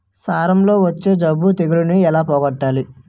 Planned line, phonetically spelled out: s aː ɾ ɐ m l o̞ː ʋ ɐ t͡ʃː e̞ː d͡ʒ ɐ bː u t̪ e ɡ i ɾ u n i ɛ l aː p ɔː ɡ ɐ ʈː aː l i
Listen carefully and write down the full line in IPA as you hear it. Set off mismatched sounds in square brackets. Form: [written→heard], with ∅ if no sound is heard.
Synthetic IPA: s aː ɾ ɐ m l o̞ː ʋ ɐ t͡ʃː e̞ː d͡ʒ ɐ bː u t̪ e ɡ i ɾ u n i ɛ l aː p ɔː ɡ ɐ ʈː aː l i